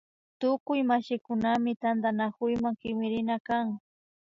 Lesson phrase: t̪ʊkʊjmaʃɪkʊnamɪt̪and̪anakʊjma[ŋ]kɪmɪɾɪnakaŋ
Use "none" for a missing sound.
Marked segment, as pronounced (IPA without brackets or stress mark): ŋ